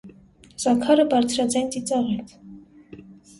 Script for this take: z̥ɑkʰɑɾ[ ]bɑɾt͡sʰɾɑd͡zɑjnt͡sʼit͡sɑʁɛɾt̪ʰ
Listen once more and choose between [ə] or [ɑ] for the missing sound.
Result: ə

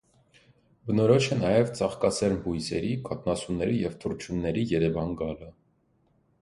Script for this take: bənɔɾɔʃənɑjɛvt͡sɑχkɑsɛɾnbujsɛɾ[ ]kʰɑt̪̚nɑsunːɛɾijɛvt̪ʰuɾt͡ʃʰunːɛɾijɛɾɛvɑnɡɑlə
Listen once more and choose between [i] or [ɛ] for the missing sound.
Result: i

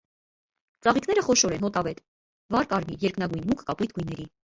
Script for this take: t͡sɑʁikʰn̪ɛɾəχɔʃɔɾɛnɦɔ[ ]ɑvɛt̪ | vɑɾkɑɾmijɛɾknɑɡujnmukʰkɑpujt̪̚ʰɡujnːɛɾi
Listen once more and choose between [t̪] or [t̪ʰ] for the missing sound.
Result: t̪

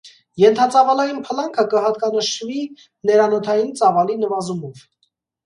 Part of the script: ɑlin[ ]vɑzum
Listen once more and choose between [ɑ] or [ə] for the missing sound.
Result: ə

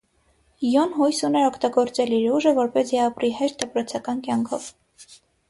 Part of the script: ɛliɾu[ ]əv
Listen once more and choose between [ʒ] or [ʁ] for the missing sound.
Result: ʒ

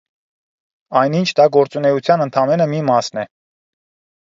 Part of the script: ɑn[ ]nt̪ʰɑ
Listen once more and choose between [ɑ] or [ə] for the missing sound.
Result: ə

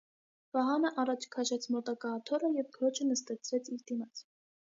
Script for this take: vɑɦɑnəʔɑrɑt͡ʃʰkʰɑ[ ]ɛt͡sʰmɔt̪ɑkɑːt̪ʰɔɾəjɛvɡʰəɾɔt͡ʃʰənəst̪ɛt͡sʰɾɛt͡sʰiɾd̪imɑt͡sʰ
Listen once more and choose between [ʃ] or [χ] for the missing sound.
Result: ʃ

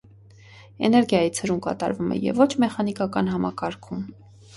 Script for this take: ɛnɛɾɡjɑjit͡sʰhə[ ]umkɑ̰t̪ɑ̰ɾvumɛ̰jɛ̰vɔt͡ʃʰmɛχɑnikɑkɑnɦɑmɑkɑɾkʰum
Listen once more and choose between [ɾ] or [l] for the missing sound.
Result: ɾ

